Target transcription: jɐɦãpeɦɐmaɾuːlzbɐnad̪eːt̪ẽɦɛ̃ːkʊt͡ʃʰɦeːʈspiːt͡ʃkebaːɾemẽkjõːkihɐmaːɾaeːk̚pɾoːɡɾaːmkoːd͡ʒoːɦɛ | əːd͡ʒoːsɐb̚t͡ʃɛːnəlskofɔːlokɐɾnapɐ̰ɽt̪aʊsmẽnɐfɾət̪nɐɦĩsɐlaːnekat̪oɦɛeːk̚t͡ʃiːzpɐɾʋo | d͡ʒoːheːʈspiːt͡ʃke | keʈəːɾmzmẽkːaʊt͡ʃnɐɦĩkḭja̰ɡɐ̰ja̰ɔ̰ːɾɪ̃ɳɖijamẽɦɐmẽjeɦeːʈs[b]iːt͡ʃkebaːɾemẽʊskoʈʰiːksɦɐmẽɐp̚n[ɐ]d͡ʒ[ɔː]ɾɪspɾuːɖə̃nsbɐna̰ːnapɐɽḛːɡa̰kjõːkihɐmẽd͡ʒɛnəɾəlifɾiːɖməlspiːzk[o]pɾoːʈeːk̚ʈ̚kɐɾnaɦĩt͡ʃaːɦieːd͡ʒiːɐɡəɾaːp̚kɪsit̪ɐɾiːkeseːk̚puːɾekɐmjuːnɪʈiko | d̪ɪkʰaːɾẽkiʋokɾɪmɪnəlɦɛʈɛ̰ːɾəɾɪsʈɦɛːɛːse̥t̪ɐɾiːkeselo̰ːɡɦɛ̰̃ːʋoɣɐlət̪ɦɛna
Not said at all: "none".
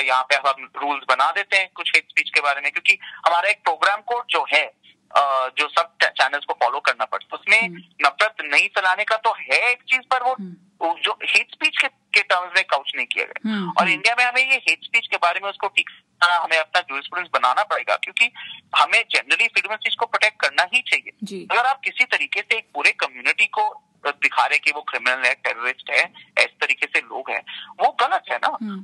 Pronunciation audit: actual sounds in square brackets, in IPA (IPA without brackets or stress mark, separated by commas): p, a, uː, o